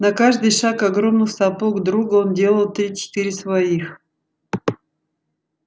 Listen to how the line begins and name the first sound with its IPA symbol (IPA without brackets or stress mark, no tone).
n